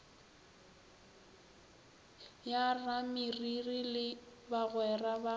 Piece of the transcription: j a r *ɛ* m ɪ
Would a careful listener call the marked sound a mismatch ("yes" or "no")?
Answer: yes